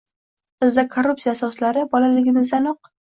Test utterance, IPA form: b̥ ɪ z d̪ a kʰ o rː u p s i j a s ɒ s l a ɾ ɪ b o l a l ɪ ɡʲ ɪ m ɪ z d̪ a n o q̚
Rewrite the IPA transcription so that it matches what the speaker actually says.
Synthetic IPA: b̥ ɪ z d̪ a kʰ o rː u p s i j a s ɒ s l a ɾ ɪ b ɒ l a l ɪ ɡʲ ɪ m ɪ z d̪ a n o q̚